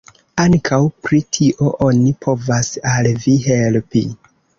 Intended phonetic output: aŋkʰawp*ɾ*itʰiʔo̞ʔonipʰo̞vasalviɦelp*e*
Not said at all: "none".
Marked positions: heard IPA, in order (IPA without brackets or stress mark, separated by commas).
ɾ, i